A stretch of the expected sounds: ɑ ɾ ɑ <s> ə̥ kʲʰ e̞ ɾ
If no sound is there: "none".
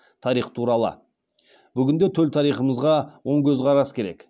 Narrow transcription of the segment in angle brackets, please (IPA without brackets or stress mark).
s